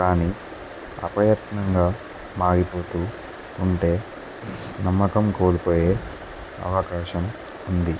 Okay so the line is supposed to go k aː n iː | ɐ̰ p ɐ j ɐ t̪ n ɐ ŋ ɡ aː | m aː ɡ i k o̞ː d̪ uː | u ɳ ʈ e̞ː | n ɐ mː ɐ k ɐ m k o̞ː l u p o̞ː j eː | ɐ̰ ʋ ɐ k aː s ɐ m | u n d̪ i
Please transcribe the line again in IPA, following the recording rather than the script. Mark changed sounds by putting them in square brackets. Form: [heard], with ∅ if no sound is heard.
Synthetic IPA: k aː n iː | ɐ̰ p ɐ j ɐ t̪ n ɐ ŋ ɡ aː | m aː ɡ i [p] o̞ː [t̪] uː | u ɳ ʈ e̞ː | n ɐ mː ɐ k ɐ m k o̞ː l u p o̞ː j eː | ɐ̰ ʋ ɐ k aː [ʃ] ɐ m | u n d̪ i